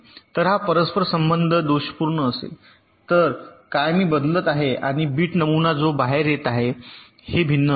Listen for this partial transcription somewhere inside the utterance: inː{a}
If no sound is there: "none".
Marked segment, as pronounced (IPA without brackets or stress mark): ə